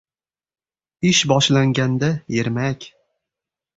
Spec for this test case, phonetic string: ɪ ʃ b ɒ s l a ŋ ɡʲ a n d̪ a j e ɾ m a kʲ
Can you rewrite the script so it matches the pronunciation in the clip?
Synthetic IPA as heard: ɪ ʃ b ɒ ʃ l a ŋ ɡʲ a n d̪ a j e ɾ m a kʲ